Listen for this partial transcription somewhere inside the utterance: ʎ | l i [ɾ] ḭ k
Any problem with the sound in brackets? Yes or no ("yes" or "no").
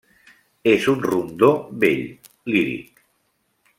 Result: no